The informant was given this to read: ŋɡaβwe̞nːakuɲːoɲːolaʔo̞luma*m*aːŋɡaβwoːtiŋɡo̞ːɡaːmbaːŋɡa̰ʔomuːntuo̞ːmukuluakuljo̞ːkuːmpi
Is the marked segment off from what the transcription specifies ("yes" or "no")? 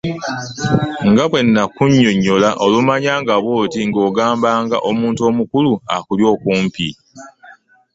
yes